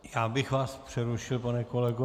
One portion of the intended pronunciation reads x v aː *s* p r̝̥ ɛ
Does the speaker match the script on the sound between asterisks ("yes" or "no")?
yes